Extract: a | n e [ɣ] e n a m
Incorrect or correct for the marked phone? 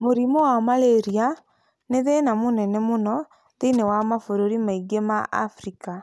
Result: incorrect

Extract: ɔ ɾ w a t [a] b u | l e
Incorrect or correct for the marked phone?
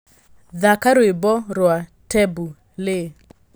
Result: incorrect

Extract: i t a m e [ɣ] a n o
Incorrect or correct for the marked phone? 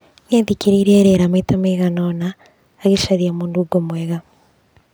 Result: correct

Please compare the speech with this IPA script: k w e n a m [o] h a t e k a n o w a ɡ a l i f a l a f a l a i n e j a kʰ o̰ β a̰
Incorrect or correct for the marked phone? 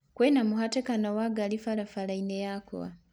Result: incorrect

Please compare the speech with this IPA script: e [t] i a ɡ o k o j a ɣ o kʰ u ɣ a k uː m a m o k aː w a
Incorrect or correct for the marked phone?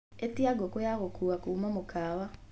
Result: correct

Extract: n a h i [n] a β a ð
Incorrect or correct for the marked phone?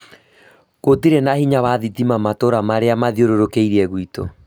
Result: incorrect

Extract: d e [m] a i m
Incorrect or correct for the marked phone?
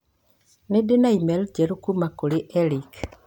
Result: incorrect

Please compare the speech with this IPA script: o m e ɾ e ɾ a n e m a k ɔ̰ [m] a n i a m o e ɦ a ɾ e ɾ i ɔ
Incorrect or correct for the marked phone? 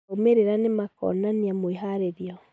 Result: incorrect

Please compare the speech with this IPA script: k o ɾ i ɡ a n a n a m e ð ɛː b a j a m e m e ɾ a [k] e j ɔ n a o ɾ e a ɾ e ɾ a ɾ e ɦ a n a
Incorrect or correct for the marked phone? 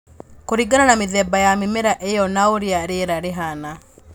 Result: incorrect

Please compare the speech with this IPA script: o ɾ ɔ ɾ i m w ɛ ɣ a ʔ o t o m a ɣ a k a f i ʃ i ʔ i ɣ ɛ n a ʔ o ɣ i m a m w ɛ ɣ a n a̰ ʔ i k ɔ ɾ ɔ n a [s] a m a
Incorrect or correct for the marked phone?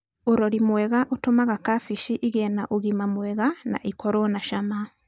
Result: incorrect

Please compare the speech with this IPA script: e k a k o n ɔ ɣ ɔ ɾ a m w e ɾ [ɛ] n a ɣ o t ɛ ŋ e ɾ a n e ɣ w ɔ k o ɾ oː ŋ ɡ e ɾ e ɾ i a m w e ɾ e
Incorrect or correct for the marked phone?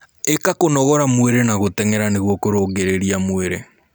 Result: incorrect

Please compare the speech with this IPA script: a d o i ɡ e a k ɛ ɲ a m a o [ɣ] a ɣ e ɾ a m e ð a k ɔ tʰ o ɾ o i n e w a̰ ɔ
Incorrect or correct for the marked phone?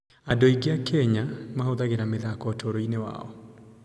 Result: incorrect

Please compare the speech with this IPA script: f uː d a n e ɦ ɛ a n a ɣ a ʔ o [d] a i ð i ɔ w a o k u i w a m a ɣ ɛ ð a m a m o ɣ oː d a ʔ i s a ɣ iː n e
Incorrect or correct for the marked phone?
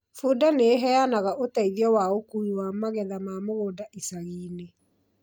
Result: incorrect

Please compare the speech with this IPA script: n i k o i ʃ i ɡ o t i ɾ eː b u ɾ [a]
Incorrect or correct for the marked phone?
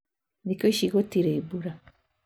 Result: correct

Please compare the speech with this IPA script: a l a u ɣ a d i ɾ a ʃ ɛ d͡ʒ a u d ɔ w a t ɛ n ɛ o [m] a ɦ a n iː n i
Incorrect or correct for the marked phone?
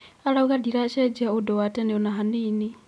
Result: incorrect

